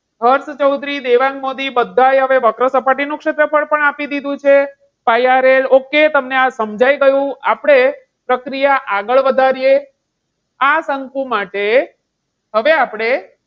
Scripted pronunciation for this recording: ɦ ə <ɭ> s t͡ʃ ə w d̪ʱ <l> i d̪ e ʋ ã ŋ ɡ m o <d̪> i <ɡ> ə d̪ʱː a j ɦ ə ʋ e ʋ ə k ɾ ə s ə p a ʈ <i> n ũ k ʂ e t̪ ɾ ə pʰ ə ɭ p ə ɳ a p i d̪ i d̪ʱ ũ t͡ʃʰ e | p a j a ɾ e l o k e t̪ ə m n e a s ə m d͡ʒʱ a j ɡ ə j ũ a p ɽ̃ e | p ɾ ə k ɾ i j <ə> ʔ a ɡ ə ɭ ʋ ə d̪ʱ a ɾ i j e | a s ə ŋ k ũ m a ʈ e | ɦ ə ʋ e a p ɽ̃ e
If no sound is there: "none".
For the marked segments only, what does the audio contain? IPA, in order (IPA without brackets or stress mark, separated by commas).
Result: ɾ, ɾ, d̪, b, i, a